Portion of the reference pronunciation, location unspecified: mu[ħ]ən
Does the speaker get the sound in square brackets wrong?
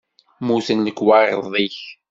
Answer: yes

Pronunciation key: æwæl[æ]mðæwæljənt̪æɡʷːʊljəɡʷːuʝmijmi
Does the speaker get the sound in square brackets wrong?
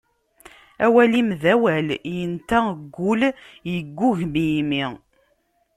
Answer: yes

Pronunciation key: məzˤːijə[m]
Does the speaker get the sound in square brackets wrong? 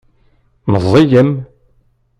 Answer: no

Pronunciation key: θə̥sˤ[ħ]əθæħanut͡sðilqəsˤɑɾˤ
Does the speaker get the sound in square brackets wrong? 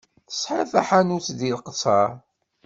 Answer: no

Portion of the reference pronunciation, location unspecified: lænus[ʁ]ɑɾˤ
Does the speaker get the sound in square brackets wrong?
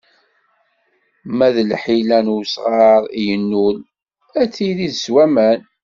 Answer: no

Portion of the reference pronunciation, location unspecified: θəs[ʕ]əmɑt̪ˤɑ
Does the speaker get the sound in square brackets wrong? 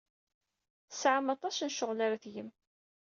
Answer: no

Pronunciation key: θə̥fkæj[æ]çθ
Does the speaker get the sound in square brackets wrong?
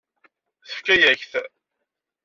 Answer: no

